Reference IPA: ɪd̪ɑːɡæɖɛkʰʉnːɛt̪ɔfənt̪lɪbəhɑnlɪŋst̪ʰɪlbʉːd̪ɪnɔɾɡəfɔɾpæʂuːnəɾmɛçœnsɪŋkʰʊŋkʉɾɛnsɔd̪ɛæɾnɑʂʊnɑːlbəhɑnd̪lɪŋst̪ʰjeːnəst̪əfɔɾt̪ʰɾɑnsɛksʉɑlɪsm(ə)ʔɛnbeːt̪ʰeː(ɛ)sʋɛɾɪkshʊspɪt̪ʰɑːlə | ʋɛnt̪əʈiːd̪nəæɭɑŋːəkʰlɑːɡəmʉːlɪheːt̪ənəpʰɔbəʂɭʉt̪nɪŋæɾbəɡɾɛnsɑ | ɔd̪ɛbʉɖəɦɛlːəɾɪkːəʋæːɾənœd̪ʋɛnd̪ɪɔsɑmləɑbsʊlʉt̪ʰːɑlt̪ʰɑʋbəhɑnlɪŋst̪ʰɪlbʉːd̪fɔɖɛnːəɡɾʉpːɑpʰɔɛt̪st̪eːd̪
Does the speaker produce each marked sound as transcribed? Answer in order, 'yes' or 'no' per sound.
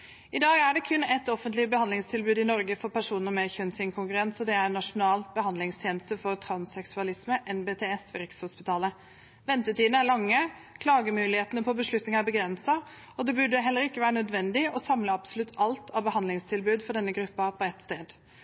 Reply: yes, yes

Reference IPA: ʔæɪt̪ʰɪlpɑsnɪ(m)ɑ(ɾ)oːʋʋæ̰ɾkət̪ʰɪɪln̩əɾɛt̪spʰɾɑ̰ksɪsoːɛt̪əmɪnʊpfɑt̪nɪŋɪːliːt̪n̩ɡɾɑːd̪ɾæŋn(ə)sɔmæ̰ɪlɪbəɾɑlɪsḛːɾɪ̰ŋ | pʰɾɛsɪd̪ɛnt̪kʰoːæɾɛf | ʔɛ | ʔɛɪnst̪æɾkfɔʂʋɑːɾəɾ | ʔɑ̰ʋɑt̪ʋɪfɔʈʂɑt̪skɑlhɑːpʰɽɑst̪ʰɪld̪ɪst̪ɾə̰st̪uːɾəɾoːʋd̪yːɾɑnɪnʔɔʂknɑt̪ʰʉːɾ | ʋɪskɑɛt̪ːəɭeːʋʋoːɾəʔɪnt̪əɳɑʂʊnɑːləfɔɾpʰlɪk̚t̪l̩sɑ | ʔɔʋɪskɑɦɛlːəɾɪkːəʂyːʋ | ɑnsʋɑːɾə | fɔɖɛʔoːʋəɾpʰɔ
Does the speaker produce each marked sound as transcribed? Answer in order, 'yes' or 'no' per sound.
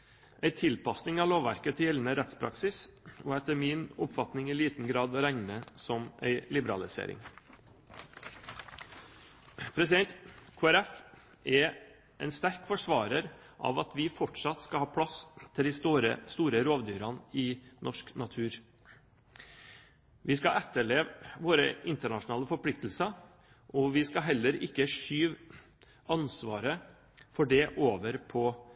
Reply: no, no, yes

